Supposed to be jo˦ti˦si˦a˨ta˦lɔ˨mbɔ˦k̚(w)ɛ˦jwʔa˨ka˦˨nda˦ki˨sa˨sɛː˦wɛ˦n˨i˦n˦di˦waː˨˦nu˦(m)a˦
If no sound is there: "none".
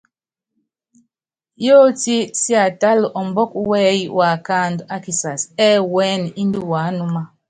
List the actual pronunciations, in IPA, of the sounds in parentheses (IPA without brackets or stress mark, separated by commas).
w, m